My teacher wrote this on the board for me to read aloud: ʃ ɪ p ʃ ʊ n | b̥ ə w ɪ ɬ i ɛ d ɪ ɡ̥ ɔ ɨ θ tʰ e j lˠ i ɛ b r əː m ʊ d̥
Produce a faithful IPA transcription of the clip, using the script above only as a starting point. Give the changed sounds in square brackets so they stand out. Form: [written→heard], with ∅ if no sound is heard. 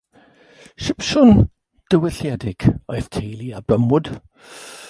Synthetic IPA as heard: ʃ ɪ p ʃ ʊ n | [b̥→d̥] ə w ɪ ɬ [i→j] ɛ d ɪ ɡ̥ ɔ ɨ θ tʰ e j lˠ i [ɛ→a] b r [əː→ə] m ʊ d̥

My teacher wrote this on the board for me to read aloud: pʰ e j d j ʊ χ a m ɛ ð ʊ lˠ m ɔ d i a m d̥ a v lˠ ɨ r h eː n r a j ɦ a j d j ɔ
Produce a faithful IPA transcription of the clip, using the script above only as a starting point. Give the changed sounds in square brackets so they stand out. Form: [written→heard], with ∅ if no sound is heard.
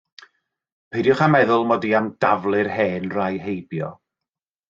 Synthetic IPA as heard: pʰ e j d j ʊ χ a m ɛ ð ʊ lˠ m ɔ d i a m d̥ a v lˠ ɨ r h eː n r a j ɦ [a→e] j [d→b] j ɔ

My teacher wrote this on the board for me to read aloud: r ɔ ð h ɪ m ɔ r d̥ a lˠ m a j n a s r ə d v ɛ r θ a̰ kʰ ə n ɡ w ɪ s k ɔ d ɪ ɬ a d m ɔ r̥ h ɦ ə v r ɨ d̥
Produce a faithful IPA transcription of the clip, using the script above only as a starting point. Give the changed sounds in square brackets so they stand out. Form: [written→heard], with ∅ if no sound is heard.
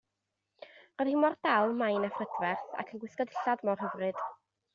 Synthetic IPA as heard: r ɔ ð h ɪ m ɔ r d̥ a lˠ m a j n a [s→f] r ə d v ɛ r θ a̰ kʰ ə n ɡ w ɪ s k ɔ d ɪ ɬ a d m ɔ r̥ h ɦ ə v r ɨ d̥

